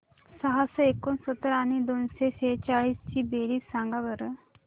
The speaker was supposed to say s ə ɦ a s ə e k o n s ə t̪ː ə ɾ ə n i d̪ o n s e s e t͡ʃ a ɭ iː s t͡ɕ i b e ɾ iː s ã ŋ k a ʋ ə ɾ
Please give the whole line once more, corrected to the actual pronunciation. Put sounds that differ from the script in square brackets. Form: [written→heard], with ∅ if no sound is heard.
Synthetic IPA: s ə ɦ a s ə e k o n s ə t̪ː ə ɾ [ə→a] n i d̪ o n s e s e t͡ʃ a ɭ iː s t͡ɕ i b e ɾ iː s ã ŋ [k→ɡ] a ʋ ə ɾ